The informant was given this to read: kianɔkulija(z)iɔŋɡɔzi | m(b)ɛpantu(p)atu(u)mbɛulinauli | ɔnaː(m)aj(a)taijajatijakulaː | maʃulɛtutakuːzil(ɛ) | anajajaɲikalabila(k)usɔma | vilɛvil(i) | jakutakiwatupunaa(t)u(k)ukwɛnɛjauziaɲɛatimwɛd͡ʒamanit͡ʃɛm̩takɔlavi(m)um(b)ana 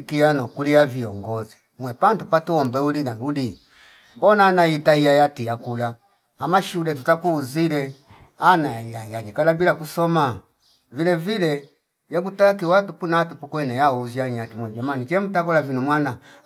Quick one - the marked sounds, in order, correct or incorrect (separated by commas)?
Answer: incorrect, incorrect, correct, incorrect, incorrect, incorrect, correct, correct, incorrect, correct, incorrect, incorrect, incorrect